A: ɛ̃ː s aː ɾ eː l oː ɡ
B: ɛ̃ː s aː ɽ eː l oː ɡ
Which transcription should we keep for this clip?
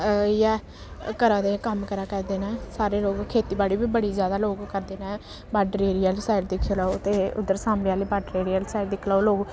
A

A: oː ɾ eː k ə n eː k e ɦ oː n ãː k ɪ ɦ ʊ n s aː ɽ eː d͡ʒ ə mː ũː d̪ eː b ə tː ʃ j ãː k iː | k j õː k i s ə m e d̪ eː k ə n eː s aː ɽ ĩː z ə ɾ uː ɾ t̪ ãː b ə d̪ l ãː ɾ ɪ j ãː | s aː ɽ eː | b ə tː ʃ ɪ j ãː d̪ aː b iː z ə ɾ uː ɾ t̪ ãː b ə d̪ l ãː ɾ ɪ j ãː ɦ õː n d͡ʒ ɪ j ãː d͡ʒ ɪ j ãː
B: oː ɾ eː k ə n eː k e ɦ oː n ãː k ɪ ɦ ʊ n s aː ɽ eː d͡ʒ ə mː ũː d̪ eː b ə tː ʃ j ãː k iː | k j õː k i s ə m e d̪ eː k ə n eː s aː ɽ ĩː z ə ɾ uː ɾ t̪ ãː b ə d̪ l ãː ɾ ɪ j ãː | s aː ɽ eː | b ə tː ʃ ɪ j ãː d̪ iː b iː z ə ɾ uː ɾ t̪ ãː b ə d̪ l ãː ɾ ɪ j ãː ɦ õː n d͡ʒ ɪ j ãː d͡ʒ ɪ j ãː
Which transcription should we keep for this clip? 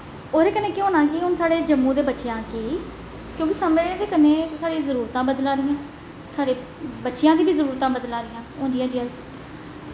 B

